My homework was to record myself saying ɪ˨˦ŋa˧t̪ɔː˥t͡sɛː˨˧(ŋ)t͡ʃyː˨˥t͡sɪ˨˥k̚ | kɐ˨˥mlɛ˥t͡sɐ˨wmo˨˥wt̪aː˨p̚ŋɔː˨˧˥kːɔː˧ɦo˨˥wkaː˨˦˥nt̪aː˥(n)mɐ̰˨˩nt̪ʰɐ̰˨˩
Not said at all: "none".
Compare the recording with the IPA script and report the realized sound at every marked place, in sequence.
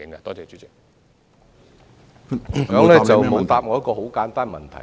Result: none, n

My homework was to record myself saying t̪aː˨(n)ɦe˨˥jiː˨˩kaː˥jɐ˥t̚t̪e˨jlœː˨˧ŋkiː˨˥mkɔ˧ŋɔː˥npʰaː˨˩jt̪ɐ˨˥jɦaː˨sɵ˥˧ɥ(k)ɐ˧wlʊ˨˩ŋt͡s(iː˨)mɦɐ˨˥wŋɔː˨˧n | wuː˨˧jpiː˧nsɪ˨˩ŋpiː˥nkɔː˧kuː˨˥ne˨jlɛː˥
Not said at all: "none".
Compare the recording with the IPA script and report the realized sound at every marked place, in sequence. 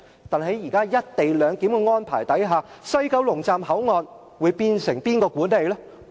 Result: n, k, aː˨

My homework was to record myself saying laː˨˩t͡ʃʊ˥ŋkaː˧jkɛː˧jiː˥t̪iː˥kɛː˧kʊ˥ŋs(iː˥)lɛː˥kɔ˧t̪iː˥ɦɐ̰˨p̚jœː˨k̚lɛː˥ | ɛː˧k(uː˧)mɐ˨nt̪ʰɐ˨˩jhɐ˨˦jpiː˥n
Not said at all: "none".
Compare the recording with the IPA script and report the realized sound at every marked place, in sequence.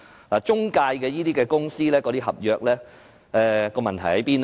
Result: iː˥, ɔː˧

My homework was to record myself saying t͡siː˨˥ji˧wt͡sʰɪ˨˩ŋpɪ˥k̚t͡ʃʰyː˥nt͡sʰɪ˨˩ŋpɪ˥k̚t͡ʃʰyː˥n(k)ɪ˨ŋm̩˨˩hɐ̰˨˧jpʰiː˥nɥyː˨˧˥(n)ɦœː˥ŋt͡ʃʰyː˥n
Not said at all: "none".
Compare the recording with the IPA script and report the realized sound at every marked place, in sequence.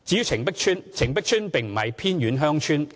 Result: p, n

